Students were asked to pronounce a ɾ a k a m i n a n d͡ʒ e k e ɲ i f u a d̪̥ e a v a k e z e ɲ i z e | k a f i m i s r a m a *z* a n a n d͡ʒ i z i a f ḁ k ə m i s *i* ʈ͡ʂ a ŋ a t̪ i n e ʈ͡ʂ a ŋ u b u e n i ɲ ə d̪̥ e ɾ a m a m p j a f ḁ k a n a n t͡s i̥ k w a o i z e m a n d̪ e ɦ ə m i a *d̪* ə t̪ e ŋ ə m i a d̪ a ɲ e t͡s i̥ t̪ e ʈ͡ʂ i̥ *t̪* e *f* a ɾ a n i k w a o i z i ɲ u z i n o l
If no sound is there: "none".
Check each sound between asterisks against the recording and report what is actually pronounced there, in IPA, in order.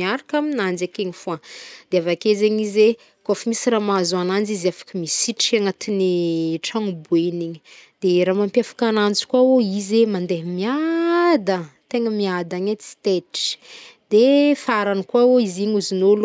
z, i, d̪, d̪, f

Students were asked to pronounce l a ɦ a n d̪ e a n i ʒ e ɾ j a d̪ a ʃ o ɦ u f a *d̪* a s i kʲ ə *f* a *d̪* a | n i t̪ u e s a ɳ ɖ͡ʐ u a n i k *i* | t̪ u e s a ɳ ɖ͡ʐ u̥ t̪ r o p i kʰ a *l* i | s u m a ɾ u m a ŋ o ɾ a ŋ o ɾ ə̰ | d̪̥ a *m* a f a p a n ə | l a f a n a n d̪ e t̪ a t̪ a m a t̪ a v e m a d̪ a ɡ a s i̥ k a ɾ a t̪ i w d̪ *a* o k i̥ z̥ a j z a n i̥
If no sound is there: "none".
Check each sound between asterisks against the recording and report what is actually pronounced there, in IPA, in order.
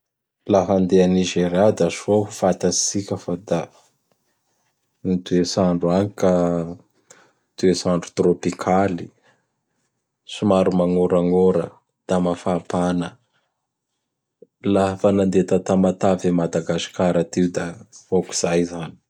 t̪, f, d̪, a, l, m, a

